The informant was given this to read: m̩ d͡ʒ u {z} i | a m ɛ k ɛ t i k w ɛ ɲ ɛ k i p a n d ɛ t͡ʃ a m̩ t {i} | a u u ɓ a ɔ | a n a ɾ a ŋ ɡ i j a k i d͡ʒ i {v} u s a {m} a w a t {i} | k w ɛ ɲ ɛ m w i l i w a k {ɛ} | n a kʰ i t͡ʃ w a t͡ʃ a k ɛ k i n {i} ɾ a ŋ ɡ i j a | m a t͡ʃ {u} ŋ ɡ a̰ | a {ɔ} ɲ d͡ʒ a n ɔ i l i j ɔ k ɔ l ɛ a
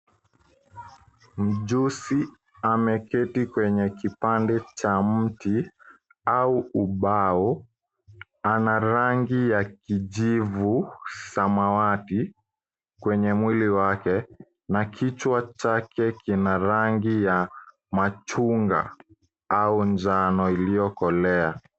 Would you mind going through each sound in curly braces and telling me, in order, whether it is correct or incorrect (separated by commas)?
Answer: incorrect, correct, correct, correct, correct, correct, incorrect, correct, incorrect